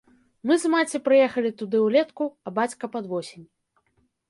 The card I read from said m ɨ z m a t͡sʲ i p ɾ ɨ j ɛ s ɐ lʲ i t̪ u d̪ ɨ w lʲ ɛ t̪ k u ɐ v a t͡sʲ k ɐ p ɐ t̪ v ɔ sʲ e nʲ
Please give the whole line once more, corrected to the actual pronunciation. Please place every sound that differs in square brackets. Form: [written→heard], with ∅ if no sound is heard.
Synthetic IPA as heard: m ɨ z m a t͡sʲ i p ɾ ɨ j ɛ [s→x] ɐ lʲ i t̪ u d̪ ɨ w lʲ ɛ t̪ k u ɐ [v→b] a t͡sʲ k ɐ p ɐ [t̪→d̪] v ɔ sʲ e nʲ